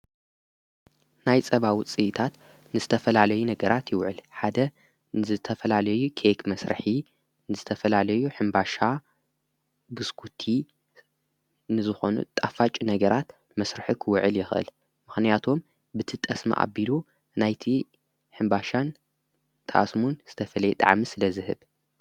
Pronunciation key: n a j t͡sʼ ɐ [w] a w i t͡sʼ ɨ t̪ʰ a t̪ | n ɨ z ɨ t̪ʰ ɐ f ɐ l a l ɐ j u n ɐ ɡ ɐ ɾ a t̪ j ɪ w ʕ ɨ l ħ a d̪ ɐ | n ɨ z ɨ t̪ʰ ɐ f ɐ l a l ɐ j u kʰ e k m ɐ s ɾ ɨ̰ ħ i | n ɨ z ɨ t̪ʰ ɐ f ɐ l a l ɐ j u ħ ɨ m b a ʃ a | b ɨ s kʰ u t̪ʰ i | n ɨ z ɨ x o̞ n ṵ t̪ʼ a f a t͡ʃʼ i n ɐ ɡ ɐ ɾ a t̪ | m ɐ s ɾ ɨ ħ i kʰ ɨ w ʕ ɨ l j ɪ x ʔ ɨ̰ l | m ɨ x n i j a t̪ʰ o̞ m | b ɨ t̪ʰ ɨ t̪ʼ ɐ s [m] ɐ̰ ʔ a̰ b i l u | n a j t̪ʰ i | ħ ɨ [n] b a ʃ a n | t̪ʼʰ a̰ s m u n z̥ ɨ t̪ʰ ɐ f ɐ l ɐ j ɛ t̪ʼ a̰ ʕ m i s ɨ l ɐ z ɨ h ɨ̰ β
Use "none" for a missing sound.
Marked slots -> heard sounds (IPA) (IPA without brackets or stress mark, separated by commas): β, m, m